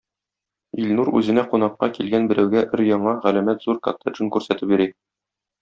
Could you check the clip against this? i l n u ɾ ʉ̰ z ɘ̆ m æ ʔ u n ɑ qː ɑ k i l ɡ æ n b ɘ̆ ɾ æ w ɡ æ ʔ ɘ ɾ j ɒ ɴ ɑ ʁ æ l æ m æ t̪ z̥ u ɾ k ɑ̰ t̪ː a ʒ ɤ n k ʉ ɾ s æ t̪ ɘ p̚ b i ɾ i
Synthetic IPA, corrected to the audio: i l n u ɾ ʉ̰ z ɘ̆ n æ q u n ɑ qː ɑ k i l ɡ æ n b ɘ̆ ɾ æ w ɡ æ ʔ ɘ ɾ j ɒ ɴ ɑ ʁ æ l æ m æ t̪ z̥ u ɾ k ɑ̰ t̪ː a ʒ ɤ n k ʉ ɾ s æ t̪ ɘ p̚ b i ɾ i